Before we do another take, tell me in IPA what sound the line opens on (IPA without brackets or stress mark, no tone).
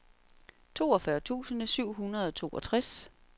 t͡sʰ